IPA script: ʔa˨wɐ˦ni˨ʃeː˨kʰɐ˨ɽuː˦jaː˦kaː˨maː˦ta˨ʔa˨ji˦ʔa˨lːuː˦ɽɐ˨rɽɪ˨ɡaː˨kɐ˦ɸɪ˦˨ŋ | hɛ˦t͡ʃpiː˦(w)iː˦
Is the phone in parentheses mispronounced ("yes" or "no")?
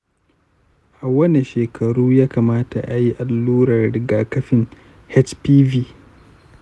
yes